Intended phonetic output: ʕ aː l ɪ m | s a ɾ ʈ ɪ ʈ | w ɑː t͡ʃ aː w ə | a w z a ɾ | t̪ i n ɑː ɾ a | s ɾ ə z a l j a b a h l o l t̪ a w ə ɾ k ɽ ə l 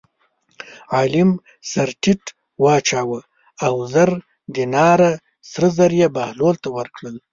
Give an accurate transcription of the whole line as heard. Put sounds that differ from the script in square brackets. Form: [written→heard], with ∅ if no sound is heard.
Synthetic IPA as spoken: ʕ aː l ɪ m | s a ɾ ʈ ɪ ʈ | w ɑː t͡ʃ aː w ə | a w z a ɾ | [t̪→d̪] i n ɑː ɾ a | s ɾ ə z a [l→ɾ] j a b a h l o l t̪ a w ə ɾ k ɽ ə l

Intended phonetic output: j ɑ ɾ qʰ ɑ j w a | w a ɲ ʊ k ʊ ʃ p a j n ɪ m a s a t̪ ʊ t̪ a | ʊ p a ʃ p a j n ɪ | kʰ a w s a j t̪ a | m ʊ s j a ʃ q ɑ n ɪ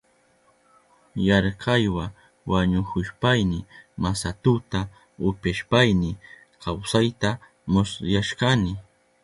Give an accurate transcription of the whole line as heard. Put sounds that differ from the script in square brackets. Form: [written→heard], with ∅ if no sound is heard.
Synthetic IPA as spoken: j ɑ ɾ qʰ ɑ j w a | w a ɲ ʊ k ʊ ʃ p a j n ɪ m a s a t̪ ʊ t̪ a | ʊ p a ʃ p a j n ɪ | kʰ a w s a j t̪ a | m ʊ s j a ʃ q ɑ n ɪ

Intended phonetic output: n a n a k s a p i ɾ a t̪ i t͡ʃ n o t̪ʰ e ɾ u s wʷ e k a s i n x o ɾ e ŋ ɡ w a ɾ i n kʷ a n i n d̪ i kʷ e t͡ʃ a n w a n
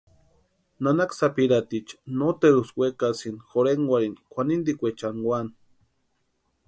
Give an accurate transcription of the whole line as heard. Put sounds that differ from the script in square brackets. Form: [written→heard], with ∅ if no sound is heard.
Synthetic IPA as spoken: n a n a k s a p i ɾ a t̪ i t͡ʃ n o [t̪ʰ→t̪] e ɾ u s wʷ e k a s i n x o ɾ e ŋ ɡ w a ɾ i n kʷ a n i n d̪ i kʷ e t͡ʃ a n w a n

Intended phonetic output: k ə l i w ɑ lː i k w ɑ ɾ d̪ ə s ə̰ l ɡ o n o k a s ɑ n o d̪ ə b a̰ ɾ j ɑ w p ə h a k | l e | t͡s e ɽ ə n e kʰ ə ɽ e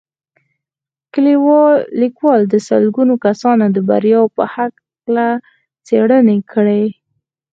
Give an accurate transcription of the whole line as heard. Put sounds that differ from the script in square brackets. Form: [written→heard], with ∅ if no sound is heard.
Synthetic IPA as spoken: k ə l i w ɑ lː i k w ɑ [ɾ→l] d̪ ə s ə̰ l ɡ [o→u] n o k a s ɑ n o d̪ ə b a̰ ɾ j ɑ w p ə h a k | l [e→a] | t͡s e ɽ ə n e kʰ ə ɽ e

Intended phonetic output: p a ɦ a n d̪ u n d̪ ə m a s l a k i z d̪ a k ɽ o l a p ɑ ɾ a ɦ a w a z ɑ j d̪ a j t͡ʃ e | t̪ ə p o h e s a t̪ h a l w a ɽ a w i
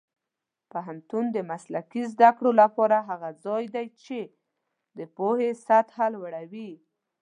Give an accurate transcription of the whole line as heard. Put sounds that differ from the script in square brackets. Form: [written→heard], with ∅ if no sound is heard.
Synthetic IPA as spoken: p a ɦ a n [d̪→t̪] u n d̪ ə m a s l a k i z d̪ a k ɽ o l a p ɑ ɾ a ɦ a [w→ɣ] a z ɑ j d̪ a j t͡ʃ e | [t̪→d̪] ə p o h e s a t̪ h a l w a ɽ a w i

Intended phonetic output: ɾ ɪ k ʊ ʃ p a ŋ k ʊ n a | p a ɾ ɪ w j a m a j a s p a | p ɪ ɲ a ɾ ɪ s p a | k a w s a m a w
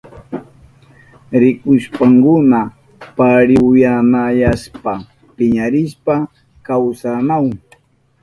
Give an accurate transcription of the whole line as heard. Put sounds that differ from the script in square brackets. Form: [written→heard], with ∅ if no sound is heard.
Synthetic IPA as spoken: ɾ ɪ k ʊ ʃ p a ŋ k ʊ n a | p a ɾ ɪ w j a m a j a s p a | p ɪ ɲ a ɾ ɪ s p a | k a w s a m a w

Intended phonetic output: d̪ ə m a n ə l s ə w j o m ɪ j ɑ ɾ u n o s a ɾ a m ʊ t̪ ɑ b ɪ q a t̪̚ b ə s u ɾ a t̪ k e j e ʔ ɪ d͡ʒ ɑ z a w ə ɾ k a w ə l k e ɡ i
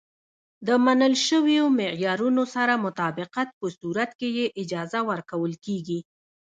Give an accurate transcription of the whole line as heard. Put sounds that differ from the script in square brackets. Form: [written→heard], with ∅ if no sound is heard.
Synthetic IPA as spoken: d̪ ə m a n ə l [s→ʃ] ə w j o m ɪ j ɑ ɾ u n o s a ɾ a m ʊ t̪ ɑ b ɪ q a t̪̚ [b→p] ə s u ɾ a t̪ k e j e ʔ ɪ d͡ʒ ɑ z a w ə ɾ k a w ə l k e ɡ i

